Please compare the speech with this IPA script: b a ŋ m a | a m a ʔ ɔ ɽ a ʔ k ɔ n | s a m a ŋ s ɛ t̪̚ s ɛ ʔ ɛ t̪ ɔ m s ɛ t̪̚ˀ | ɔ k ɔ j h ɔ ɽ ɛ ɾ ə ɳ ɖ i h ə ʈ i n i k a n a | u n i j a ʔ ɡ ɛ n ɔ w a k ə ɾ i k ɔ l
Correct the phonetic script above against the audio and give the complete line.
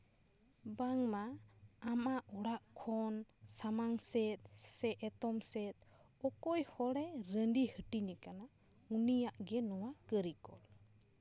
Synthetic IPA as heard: b a ŋ m a | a m a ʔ ɔ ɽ a ʔ kʰ ɔ n | s a m a ŋ s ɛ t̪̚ s ɛ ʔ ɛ t̪ ɔ m s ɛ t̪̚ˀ | ɔ k ɔ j h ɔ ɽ ɛ ɾ ə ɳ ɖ i h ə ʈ i n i k a n a | u n i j a ʔ ɡ ɛ n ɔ w a k ə ɾ i k ɔ l